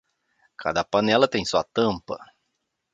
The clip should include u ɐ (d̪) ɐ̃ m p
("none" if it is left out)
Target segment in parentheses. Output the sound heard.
t̪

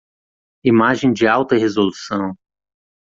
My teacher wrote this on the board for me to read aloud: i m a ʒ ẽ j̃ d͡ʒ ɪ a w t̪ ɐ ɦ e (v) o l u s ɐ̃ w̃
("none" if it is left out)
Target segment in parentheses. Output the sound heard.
z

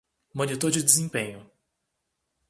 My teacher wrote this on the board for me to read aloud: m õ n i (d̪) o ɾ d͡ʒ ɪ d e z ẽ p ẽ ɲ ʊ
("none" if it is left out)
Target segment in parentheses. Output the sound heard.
t̪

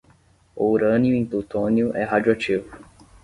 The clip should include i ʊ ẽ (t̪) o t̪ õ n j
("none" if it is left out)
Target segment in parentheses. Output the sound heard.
t̪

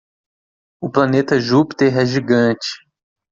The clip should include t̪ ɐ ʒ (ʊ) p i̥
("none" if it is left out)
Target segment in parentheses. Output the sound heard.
u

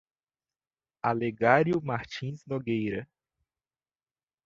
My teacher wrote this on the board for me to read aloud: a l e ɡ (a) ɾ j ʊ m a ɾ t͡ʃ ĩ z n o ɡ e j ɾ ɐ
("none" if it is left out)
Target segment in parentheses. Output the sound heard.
a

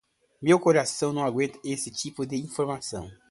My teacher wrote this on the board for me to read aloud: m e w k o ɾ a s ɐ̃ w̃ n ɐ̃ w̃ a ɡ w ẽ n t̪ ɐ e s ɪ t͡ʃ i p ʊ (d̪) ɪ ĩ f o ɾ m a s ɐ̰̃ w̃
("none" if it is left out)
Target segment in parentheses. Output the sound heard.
d̪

